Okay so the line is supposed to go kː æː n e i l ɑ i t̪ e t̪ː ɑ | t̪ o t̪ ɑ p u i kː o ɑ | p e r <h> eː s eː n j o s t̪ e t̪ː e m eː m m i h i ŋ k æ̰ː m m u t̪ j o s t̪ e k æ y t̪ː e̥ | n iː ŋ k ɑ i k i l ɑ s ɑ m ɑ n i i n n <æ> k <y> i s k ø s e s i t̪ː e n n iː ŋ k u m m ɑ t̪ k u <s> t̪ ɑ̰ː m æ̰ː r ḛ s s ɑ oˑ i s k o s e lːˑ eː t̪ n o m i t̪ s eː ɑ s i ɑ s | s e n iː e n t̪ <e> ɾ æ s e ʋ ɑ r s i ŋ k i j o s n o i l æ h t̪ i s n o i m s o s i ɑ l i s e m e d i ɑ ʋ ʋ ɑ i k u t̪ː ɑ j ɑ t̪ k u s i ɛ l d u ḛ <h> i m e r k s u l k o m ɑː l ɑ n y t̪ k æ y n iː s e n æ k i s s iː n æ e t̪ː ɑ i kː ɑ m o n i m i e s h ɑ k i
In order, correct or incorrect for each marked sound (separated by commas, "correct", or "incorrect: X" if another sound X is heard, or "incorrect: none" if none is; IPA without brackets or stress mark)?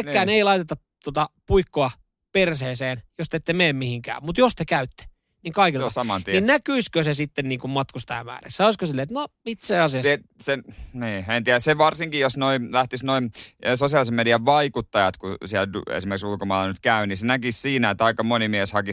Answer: incorrect: s, correct, correct, correct, incorrect: i, incorrect: s